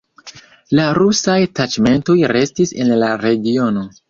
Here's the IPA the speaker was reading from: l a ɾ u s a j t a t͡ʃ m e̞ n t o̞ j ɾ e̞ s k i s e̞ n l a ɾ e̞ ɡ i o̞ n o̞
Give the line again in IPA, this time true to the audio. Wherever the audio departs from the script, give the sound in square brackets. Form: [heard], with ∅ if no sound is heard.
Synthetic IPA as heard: l a ɾ u s a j t a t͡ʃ m e̞ n t o̞ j ɾ e̞ s [t] i s e̞ n l a ɾ e̞ ɡ i o̞ n o̞